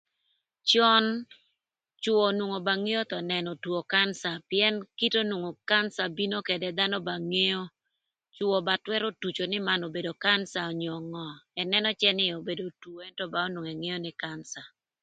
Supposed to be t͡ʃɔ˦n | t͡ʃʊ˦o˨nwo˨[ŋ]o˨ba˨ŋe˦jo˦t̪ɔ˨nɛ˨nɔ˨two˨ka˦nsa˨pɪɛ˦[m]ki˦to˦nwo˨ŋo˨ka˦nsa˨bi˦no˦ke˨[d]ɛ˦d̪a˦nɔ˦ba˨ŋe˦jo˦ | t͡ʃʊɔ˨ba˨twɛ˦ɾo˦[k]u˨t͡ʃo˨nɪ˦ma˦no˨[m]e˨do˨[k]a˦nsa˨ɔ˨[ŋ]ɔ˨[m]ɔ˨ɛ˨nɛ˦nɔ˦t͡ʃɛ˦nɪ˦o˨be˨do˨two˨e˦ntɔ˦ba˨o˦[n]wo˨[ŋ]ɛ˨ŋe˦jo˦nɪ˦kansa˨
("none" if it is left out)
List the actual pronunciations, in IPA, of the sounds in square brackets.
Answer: ŋ, n, d, t, b, k, ɲ, ŋ, n, ŋ

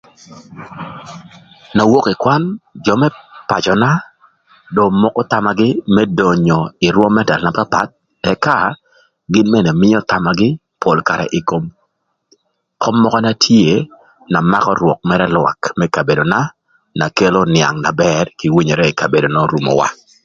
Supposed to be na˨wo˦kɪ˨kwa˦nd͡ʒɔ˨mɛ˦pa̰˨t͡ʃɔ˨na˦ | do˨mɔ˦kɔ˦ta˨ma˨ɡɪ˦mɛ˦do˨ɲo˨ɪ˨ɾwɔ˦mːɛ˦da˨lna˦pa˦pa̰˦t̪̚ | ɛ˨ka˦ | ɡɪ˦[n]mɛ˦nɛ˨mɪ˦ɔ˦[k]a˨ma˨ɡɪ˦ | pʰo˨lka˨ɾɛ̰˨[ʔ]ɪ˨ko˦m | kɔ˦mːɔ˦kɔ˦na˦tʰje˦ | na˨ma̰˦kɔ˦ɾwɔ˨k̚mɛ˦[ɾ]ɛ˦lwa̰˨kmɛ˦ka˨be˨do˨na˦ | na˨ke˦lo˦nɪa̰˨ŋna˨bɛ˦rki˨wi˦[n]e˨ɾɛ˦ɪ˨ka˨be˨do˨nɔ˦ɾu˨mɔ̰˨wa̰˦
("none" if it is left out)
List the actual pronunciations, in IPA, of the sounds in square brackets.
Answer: n, t, ʔ, ɾ, ɲ

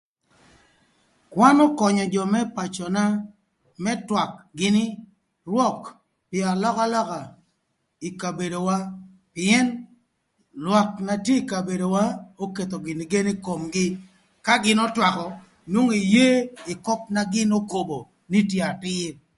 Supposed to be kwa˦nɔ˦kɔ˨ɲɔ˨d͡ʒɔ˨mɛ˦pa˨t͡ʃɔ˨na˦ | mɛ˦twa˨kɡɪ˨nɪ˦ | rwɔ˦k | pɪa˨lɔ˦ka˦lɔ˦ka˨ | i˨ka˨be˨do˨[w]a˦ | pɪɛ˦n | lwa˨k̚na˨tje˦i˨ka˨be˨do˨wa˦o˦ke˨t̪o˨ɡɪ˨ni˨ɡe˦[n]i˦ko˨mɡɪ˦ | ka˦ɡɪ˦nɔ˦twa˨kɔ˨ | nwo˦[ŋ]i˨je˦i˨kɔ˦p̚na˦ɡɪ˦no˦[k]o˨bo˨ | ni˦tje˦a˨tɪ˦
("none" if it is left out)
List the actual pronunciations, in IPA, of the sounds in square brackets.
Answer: w, n, ŋ, k

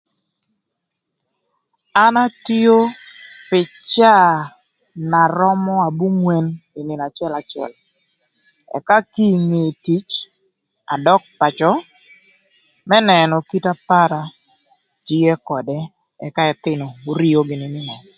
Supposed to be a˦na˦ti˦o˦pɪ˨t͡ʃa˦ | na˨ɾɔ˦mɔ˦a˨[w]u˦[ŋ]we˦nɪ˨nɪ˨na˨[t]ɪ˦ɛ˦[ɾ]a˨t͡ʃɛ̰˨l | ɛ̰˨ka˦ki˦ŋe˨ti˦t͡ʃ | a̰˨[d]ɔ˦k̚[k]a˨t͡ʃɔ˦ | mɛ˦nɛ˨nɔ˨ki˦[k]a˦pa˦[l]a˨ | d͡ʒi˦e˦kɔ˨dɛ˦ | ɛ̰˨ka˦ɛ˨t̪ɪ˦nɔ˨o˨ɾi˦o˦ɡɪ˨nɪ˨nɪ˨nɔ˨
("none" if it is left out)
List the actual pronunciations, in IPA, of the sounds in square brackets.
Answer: b, ŋ, t͡ʃ, l, d, p, t, ɾ

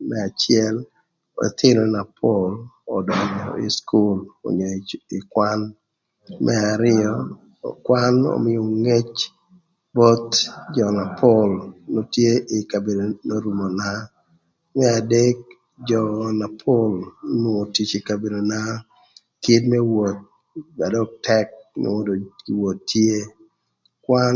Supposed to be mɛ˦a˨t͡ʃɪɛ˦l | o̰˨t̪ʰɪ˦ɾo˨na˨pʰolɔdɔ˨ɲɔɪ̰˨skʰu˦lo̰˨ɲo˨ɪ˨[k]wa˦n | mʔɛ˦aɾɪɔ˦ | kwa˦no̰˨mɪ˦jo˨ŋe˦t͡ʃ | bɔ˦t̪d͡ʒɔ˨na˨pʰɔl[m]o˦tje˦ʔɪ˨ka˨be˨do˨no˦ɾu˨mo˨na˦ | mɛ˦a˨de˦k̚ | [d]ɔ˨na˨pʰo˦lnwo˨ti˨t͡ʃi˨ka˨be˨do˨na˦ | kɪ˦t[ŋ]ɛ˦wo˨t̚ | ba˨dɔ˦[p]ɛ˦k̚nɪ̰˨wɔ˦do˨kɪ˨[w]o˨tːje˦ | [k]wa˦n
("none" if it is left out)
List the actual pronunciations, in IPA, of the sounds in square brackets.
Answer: k, n, d͡ʒ, m, t, w, k

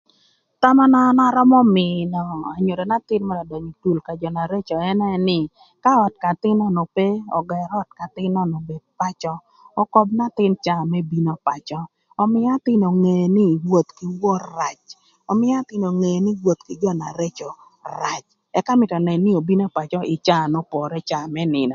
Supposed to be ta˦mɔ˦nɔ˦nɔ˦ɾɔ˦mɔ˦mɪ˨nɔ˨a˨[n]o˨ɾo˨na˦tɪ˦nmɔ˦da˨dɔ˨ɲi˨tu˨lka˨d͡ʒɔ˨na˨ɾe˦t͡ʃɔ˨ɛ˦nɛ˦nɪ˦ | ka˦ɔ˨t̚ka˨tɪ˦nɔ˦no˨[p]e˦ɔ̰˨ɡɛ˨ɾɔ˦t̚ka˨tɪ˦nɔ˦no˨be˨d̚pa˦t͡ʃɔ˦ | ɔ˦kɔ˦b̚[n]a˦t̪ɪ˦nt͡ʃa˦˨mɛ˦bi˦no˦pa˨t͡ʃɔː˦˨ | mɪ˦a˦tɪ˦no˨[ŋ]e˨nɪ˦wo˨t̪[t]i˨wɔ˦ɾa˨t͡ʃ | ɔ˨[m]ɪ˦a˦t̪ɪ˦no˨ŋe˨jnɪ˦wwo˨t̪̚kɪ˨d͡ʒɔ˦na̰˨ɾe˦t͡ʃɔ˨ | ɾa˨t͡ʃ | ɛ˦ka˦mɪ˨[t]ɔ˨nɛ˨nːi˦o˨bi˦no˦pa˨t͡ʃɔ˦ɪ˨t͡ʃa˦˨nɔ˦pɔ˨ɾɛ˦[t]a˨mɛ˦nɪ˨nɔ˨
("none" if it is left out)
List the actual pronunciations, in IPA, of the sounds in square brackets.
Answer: ɲ, p, n, ŋ, k, m, t, t͡ʃ

